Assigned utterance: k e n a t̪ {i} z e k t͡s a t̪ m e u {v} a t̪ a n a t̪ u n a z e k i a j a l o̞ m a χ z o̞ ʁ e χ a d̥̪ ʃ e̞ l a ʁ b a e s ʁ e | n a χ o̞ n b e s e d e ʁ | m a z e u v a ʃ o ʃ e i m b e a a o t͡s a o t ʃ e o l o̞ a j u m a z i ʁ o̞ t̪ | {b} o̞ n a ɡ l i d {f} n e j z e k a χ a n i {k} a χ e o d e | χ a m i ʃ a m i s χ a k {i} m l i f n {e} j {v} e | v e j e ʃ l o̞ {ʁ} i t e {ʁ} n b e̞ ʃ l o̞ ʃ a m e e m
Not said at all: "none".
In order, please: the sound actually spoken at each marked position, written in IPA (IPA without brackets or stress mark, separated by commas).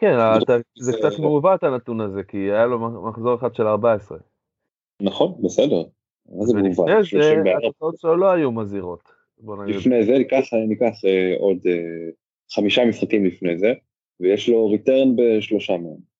a, v, b, f, k, i, e, z, ʁ, ʁ